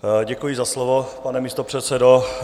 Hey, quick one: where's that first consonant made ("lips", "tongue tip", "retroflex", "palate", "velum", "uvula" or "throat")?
palate